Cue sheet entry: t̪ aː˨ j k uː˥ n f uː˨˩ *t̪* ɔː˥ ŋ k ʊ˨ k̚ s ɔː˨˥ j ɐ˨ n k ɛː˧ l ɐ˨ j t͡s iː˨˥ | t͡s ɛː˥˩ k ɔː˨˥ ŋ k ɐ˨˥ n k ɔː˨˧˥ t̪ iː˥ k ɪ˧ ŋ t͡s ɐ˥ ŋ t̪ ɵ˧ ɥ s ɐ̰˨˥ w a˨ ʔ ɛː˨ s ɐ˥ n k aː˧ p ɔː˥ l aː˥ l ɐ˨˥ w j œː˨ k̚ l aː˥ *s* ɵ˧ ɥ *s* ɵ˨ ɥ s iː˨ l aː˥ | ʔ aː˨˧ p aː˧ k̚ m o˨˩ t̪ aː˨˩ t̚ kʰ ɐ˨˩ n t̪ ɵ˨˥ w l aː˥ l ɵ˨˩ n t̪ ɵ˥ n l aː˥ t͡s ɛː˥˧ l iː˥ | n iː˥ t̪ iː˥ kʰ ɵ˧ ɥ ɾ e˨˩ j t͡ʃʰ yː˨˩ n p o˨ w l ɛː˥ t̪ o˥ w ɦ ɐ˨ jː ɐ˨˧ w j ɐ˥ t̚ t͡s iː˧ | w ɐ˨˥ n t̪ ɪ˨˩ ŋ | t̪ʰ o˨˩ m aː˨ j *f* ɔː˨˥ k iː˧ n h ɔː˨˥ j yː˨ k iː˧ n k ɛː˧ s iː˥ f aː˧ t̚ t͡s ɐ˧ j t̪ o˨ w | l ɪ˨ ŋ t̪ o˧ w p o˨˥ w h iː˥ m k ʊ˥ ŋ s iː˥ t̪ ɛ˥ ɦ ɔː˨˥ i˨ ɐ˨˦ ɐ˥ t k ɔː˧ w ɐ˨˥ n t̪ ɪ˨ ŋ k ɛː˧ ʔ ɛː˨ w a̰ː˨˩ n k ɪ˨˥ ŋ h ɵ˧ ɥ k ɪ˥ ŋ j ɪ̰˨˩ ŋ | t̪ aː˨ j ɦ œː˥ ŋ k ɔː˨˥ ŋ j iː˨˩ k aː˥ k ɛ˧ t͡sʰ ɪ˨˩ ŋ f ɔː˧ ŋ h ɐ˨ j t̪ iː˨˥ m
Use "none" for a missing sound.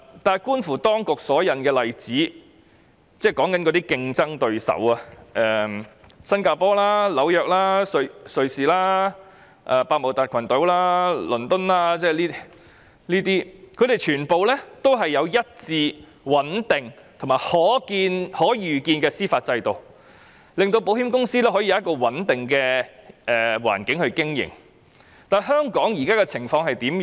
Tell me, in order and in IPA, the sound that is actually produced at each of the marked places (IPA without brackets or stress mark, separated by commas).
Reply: t̪, s, s, h